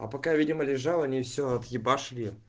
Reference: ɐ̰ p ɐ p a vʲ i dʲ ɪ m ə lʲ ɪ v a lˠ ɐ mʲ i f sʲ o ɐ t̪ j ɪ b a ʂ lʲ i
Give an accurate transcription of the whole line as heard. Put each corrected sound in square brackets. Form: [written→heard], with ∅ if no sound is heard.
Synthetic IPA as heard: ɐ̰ p ɐ [p→k] a vʲ i dʲ ɪ m ə lʲ ɪ [v→ʐ] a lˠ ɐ [mʲ→nʲ] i f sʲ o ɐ t̪ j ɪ b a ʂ lʲ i